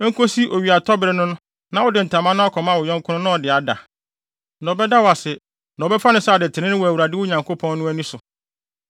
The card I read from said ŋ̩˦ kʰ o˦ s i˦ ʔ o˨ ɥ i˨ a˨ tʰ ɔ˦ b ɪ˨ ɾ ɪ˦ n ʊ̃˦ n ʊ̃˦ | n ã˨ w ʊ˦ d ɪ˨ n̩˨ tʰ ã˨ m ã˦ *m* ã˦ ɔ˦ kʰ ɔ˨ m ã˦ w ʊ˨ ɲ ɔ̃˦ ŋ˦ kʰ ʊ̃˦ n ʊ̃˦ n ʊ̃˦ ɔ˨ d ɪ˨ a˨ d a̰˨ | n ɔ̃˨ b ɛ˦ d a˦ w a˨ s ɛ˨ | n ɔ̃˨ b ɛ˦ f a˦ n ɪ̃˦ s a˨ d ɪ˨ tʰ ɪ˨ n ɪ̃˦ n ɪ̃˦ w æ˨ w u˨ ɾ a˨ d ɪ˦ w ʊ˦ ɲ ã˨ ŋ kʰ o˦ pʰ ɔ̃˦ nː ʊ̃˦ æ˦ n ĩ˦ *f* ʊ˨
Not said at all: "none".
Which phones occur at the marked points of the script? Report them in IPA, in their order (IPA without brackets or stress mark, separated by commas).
n, s